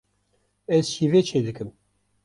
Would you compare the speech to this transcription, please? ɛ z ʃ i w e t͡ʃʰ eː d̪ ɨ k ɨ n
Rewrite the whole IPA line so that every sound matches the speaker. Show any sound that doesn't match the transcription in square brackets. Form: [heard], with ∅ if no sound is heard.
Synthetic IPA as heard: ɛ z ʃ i [v] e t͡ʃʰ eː d̪ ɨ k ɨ [m]